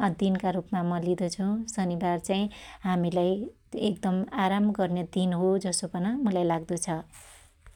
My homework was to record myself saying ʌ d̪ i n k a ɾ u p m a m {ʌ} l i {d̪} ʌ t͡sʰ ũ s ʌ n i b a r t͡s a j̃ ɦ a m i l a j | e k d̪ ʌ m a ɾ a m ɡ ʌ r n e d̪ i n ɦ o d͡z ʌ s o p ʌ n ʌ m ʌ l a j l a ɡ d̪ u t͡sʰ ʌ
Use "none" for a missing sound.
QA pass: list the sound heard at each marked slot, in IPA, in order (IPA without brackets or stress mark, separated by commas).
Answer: ʌ, d̪